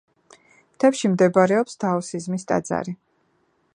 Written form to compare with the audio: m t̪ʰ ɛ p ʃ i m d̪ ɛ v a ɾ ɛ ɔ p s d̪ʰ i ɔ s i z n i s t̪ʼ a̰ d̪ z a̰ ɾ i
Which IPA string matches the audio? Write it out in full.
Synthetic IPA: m t̪ʰ ɛ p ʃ i m d̪ ɛ b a ɾ ɛ ɔ p s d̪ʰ a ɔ s i z m i s t̪ʼ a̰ d̪ z a̰ ɾ i